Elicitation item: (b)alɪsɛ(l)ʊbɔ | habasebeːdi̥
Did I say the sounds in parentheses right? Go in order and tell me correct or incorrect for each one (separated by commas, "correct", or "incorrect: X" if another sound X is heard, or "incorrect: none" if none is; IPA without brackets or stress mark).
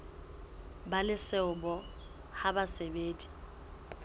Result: correct, incorrect: none